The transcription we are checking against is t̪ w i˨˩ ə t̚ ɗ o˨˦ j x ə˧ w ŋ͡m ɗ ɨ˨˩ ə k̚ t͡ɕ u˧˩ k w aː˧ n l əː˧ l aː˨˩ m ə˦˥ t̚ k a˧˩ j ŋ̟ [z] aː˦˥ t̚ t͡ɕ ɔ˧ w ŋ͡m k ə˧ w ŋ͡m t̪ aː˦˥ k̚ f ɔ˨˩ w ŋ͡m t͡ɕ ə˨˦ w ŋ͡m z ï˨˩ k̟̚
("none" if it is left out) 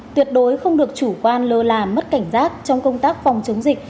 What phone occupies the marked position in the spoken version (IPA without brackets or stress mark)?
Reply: z